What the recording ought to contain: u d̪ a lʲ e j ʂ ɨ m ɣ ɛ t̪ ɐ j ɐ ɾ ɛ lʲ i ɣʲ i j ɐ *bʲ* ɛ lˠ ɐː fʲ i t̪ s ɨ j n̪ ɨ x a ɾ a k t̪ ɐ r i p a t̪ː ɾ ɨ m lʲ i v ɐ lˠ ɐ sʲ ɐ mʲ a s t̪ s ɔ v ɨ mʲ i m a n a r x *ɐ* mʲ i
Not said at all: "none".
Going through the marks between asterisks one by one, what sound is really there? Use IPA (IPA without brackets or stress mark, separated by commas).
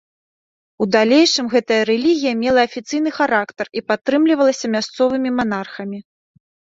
mʲ, ɐ